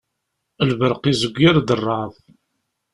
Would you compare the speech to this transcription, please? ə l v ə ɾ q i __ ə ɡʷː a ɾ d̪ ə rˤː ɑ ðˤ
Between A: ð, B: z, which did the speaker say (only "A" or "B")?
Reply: B